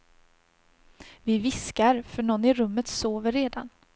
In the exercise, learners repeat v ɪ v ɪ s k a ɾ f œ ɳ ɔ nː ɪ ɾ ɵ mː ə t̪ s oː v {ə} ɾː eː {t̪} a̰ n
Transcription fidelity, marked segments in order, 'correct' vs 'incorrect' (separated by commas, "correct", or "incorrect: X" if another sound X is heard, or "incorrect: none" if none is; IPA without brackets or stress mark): correct, incorrect: d̪